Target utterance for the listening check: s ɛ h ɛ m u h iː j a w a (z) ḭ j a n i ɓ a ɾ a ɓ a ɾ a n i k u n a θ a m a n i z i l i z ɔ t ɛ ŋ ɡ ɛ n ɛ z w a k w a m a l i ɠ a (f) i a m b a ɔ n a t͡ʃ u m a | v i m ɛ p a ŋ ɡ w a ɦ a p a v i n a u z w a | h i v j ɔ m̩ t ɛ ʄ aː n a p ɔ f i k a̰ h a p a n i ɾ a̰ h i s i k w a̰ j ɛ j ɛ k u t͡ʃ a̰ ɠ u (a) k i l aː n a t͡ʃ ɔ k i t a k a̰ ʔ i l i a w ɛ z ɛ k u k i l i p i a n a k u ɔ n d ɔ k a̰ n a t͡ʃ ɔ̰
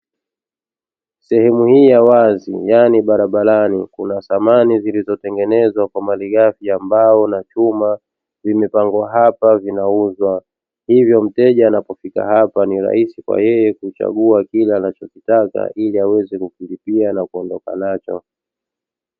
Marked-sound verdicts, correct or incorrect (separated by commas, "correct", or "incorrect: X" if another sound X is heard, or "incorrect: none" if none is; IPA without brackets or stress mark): correct, correct, correct